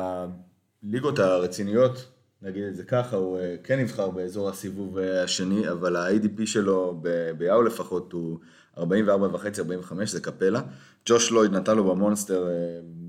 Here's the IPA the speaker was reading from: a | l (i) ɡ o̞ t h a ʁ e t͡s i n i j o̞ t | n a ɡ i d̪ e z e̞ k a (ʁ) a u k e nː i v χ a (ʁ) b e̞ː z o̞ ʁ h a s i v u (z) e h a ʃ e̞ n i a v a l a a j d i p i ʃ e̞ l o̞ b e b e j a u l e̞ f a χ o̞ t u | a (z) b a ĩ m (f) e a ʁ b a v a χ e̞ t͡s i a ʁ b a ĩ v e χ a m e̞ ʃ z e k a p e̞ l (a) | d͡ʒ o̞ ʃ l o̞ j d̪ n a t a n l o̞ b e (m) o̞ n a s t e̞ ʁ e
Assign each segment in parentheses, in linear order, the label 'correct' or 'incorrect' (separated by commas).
correct, incorrect, correct, incorrect, incorrect, incorrect, correct, correct